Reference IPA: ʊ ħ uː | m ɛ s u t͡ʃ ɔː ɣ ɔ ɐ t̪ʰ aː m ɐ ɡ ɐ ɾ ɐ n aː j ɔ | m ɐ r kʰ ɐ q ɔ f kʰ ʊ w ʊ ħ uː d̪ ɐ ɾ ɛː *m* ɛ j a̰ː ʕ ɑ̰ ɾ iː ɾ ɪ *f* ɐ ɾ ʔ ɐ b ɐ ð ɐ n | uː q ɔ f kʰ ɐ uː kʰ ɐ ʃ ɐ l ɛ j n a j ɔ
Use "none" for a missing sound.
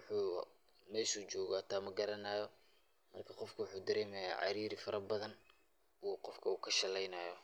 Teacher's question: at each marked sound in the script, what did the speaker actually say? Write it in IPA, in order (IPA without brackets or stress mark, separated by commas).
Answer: m, f